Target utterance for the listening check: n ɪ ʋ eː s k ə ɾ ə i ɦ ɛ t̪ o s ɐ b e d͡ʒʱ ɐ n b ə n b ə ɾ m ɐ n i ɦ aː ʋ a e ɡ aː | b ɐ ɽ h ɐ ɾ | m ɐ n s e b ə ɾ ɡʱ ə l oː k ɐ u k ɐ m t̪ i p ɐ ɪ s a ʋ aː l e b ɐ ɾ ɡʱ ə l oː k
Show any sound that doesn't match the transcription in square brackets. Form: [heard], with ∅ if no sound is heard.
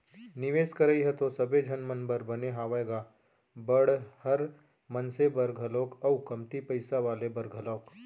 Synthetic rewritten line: n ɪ ʋ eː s k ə ɾ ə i ɦ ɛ t̪ o s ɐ b e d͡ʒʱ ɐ n [m] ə n b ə ɾ [b] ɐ n [e] ɦ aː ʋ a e ɡ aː | b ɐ ɽ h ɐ ɾ | m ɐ n s e b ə ɾ ɡʱ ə l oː k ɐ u k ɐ m t̪ i p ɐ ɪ s a ʋ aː l e b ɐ ɾ ɡʱ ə l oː k